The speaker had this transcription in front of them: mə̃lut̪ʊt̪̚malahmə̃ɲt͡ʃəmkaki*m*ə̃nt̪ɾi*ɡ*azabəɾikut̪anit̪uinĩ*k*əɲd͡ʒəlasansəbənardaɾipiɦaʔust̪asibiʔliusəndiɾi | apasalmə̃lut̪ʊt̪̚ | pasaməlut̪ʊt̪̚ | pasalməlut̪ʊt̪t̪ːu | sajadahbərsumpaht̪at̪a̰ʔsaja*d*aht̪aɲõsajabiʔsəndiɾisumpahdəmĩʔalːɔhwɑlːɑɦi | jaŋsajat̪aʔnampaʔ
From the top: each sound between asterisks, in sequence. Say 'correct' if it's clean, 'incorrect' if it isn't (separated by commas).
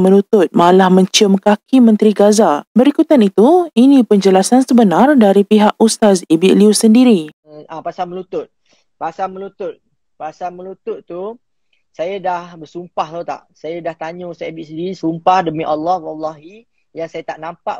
correct, correct, incorrect, correct